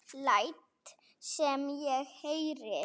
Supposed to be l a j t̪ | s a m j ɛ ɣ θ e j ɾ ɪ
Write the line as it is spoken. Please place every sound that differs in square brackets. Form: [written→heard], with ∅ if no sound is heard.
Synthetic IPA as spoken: l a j t̪ | s [a→ɛ] m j ɛ ɣ [θ→h] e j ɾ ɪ